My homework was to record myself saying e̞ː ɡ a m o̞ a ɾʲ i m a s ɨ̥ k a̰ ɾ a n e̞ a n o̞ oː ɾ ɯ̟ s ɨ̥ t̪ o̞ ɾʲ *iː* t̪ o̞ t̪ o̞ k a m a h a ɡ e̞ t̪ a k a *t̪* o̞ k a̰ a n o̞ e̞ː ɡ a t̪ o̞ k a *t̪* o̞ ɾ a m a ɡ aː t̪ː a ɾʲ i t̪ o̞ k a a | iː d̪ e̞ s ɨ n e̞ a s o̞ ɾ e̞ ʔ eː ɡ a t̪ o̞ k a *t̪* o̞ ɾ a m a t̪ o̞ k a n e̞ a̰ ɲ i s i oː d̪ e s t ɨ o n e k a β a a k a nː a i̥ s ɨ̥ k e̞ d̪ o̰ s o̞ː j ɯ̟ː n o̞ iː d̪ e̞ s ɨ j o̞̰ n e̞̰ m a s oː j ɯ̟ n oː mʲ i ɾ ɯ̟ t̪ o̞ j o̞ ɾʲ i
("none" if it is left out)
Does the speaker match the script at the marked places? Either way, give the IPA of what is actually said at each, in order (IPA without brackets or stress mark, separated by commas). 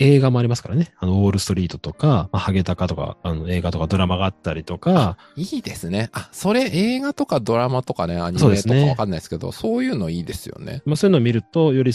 iː, t̪, d̪, d̪